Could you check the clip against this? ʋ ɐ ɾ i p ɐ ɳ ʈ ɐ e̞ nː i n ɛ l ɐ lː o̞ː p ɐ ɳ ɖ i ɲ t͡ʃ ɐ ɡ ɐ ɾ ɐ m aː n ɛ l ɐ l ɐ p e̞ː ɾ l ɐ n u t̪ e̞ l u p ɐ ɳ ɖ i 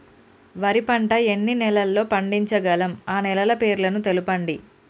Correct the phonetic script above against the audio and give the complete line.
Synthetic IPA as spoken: ʋ ɐ ɾ i p ɐ ɳ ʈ ɐ e̞ nː i n ɛ l ɐ lː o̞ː p ɐ ɳ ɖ i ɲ t͡ʃ ɐ ɡ ɐ l ɐ m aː n ɛ l ɐ l ɐ p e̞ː ɾ l ɐ n u t̪ e̞ l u p ɐ ɳ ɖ i